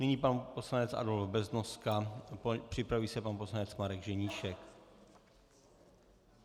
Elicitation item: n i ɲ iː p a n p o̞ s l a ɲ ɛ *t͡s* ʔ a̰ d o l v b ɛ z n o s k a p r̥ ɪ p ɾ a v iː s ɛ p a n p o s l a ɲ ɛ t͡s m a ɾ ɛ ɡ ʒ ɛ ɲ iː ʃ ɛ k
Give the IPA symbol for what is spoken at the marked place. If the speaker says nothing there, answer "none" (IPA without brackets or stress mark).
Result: t͡s